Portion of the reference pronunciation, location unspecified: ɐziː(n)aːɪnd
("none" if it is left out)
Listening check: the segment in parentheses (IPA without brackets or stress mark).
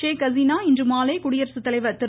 n